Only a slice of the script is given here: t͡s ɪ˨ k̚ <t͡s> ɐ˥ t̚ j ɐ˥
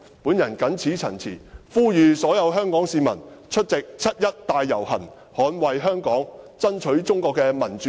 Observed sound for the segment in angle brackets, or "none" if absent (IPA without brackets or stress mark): t͡sʰ